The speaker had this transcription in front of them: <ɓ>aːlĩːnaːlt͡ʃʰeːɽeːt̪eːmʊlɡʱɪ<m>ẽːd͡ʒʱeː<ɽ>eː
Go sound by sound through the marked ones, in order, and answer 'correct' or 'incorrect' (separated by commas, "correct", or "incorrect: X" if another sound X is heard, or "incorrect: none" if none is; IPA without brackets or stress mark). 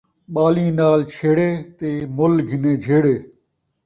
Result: correct, incorrect: n, correct